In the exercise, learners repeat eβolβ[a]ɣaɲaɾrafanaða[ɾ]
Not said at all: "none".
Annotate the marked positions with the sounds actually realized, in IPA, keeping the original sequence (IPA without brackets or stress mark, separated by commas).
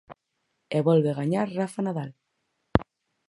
e, l